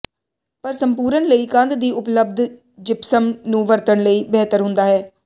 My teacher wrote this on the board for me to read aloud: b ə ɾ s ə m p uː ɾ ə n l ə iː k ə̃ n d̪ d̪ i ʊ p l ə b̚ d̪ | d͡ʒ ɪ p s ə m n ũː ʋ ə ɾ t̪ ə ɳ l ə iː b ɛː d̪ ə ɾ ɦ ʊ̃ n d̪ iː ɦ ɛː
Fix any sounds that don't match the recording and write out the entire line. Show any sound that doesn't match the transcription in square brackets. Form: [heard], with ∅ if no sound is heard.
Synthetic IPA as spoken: [p] ə ɾ s ə m p uː ɾ ə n l ə iː k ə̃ n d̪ d̪ [iː] ʊ p l ə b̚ d̪ | d͡ʒ ɪ p s ə m n ũː ʋ ə ɾ t̪ ə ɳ l ə iː b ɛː [t̪] ə ɾ ɦ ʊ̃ n d̪ [aː] ɦ ɛː